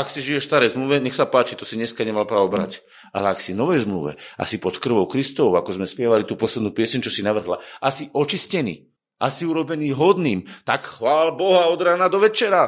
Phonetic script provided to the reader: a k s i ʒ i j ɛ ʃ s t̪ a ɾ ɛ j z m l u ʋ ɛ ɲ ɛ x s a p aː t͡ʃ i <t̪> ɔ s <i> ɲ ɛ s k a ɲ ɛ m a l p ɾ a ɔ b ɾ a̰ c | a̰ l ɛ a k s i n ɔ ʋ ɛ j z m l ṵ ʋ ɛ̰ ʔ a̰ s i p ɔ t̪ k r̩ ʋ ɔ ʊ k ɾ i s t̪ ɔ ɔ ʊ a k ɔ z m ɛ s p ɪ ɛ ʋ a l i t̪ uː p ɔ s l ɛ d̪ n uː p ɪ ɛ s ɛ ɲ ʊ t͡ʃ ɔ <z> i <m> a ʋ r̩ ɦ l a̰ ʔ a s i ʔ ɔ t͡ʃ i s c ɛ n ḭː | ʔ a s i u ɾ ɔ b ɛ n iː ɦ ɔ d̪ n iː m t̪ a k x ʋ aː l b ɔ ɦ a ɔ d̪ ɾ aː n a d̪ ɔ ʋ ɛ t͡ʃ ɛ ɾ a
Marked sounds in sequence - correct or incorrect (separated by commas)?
correct, correct, incorrect, incorrect